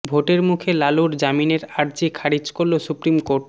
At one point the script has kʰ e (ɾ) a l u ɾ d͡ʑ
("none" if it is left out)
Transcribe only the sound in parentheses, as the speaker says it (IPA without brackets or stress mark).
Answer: l